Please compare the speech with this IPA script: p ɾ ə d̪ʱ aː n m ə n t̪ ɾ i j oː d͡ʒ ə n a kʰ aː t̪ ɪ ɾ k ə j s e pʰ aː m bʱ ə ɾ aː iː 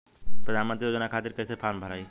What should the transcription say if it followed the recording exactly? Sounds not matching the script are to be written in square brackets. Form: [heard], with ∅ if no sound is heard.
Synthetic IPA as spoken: p ɾ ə d̪ʱ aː n m ə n t̪ ɾ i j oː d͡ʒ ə n a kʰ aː t̪ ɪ ɾ k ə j s e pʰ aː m bʱ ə ɾ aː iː

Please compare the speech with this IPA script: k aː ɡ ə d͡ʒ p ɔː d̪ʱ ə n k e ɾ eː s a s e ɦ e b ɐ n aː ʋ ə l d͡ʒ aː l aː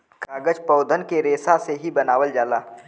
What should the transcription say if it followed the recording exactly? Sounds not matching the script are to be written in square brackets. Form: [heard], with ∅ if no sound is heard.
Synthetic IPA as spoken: k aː ɡ ə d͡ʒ p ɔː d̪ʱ ə n k e ɾ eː s a s e ɦ [i] b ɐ n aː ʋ ə l d͡ʒ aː l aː

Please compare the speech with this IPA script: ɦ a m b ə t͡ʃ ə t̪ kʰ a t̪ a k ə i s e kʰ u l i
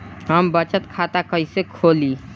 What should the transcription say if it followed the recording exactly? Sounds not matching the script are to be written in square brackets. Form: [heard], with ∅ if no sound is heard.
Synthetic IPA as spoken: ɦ [ə] m b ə t͡ʃ ə t̪ kʰ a t̪ a k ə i s e kʰ [o] l i

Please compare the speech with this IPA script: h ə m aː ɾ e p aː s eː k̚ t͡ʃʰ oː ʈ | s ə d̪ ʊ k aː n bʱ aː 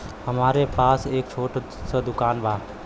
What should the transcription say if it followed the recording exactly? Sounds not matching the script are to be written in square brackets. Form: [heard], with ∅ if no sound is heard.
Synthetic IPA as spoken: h ə m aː ɾ e p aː s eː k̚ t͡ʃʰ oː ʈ | s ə d̪ ʊ k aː n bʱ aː

